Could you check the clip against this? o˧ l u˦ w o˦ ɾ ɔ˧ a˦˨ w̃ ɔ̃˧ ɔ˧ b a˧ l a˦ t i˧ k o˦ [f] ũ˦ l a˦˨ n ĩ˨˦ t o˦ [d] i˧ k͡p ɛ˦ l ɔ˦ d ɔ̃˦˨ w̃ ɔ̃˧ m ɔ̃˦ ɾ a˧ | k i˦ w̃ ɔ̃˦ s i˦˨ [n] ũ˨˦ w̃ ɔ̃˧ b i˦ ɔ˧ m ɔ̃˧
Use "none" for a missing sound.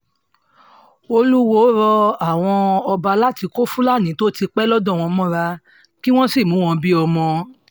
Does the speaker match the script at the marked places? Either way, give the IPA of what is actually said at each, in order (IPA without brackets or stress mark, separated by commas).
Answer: f, t, m